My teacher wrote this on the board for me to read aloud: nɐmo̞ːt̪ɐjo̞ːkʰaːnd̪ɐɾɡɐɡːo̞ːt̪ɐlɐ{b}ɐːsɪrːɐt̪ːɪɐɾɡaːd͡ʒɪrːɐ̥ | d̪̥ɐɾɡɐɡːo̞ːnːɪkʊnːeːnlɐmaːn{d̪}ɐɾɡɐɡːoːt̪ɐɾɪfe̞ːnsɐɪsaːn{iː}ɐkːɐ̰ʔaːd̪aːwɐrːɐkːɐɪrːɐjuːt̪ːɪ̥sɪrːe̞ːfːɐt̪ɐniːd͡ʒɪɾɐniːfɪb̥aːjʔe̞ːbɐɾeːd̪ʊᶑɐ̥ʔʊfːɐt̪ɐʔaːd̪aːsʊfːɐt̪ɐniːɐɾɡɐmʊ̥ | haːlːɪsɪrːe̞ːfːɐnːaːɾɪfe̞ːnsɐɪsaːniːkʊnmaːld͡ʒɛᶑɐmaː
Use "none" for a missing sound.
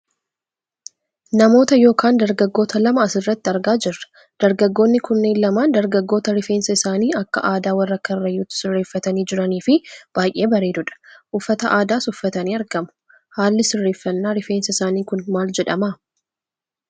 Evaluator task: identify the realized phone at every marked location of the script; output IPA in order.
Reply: m, d̪, iː

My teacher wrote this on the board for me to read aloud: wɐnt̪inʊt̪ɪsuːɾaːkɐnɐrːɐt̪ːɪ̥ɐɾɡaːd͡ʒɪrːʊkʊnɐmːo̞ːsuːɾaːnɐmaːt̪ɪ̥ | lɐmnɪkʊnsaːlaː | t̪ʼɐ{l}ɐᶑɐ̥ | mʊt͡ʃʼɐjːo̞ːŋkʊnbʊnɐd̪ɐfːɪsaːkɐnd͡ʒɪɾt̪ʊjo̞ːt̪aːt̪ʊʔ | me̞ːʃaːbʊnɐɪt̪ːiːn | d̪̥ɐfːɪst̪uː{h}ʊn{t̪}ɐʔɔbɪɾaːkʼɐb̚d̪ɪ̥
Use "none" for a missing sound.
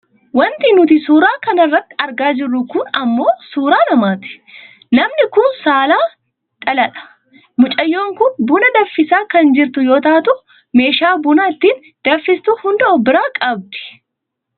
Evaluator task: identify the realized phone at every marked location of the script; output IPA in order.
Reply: l, h, d̪

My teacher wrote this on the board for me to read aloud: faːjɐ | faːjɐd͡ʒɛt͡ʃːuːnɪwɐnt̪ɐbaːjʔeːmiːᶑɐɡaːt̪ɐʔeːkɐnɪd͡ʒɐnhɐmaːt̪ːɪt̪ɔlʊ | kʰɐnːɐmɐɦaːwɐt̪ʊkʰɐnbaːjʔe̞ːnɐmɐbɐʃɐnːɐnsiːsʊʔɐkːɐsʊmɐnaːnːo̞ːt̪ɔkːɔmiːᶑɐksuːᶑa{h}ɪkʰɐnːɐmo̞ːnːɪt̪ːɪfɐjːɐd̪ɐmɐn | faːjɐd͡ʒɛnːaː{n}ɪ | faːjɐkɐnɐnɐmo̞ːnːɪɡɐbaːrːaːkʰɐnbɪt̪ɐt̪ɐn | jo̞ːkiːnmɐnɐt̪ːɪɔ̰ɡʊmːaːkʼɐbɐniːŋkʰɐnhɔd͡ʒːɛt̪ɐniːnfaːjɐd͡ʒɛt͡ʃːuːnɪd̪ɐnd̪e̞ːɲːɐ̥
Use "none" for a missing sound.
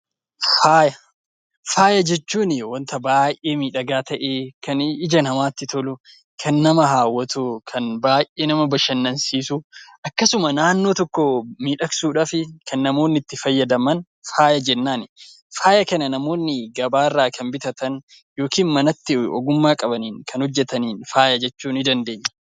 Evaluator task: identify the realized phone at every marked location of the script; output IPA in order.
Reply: f, n

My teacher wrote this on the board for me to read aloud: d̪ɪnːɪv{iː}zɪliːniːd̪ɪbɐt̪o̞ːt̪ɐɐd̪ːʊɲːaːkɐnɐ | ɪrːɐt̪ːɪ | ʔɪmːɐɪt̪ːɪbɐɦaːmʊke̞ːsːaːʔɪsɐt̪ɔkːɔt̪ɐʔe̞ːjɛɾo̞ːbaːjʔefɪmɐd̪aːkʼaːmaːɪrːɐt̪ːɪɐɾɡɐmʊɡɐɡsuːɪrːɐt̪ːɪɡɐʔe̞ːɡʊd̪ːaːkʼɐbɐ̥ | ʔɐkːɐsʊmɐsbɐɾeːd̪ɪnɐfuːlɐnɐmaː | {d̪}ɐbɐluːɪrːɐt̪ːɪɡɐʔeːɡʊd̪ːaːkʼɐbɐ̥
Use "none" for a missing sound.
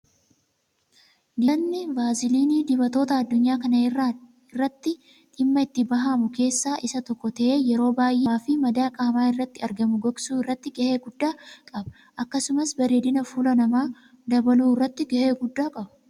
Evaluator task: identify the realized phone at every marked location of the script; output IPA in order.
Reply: aː, d̪

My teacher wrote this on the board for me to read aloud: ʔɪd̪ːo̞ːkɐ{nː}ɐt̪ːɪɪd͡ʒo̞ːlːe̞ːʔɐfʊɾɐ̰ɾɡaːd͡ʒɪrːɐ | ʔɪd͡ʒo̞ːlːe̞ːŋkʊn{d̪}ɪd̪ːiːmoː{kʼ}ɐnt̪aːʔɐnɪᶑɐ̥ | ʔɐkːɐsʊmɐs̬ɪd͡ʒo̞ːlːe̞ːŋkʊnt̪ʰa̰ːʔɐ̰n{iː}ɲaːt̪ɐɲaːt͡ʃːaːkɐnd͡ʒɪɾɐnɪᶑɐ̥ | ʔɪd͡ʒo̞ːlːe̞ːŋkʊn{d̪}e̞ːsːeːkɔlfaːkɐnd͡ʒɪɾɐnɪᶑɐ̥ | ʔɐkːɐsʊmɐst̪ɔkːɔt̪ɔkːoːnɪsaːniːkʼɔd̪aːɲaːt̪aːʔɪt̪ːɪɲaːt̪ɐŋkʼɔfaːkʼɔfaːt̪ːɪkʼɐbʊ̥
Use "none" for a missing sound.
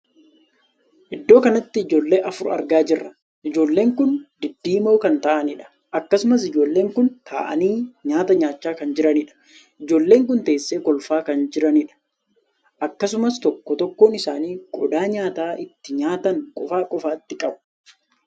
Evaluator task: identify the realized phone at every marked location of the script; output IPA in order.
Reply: n, d̪, k, iː, t̪

